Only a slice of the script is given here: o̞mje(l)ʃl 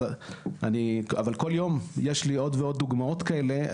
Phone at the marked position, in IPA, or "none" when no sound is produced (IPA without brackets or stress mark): none